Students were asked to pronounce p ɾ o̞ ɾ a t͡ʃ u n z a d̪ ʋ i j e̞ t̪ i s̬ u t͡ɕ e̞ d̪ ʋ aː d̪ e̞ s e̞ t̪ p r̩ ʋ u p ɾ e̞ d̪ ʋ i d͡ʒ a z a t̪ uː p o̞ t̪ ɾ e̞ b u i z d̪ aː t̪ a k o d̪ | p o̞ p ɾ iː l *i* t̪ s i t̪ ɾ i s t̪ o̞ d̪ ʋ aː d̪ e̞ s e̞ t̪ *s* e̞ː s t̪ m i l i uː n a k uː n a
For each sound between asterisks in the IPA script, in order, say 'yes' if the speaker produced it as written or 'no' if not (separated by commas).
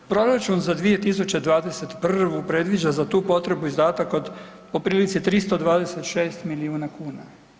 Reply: yes, no